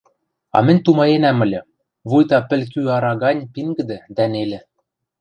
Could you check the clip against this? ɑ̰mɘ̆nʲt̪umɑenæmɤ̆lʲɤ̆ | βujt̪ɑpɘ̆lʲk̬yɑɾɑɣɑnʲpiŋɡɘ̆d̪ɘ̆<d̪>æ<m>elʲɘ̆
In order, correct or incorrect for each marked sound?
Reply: correct, incorrect: n

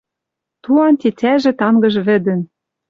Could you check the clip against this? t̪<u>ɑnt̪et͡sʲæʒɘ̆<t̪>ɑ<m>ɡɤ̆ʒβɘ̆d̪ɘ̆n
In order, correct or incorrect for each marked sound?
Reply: correct, correct, incorrect: ŋ

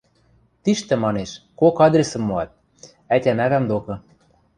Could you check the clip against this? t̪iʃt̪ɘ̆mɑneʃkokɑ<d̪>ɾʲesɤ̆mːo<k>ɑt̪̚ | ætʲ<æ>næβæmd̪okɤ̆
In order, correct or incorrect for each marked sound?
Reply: correct, incorrect: none, correct

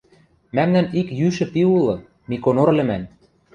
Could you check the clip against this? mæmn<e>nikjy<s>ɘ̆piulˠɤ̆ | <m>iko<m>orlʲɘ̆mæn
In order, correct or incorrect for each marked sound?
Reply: incorrect: æ, incorrect: ʃ, correct, incorrect: n

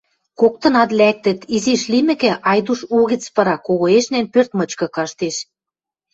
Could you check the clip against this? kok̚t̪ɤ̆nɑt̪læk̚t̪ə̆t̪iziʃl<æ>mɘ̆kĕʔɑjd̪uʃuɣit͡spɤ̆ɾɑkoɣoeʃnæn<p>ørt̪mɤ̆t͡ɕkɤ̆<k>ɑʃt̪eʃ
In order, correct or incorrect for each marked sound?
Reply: incorrect: i, correct, correct

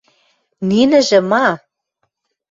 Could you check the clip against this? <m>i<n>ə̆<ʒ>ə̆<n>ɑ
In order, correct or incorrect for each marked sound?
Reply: incorrect: n, correct, correct, incorrect: m

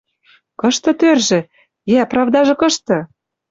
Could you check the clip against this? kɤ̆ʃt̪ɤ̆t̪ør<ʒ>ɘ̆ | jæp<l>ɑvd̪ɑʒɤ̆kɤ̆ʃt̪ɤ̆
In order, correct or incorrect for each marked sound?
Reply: correct, incorrect: r

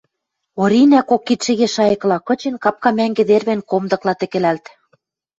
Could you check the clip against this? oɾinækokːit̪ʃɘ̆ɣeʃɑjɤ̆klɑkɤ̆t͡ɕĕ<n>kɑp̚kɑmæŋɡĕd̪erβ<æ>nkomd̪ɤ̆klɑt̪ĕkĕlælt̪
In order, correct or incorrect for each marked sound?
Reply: correct, incorrect: e

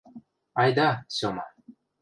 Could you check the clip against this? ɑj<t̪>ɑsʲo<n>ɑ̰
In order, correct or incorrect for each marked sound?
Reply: incorrect: d̪, incorrect: m

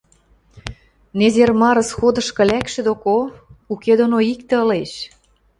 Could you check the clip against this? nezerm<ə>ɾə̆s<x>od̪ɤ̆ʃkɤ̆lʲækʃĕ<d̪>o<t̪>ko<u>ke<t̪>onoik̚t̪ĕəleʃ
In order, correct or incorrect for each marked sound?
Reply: incorrect: ɑ, correct, correct, incorrect: none, correct, incorrect: d̪

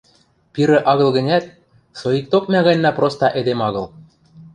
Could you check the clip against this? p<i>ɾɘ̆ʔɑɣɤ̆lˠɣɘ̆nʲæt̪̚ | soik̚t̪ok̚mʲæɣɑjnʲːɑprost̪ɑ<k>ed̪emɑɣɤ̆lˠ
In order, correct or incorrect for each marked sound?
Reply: correct, incorrect: ʔ

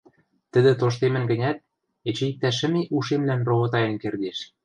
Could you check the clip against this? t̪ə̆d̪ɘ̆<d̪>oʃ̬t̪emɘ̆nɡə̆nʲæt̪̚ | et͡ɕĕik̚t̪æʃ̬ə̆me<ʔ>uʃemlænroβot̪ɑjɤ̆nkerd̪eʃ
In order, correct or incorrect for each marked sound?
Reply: incorrect: t̪, correct

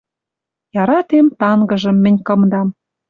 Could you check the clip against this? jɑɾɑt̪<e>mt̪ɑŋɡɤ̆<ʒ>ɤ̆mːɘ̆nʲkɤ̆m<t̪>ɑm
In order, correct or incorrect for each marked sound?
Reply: correct, correct, incorrect: d̪

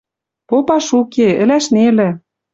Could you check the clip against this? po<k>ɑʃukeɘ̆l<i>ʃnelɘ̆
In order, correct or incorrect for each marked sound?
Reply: incorrect: p, incorrect: æ

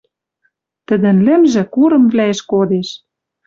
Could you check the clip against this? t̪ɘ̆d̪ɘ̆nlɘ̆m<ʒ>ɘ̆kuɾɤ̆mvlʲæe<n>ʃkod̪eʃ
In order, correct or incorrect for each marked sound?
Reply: correct, incorrect: none

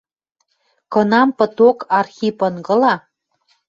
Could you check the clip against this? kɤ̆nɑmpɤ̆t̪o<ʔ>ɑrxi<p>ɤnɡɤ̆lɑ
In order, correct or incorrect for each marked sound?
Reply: incorrect: k, correct

